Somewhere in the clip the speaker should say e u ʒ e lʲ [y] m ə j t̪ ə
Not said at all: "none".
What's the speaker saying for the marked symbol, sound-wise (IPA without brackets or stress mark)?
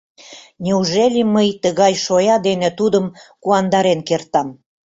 i